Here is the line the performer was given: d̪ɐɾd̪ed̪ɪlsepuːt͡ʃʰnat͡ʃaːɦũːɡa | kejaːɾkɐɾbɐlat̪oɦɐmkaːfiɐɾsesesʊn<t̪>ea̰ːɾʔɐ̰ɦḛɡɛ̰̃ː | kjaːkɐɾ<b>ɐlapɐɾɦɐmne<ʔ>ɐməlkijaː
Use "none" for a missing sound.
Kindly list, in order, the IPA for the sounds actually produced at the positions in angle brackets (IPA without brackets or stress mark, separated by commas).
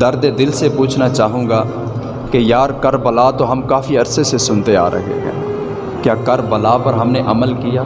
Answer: t̪, b, ʔ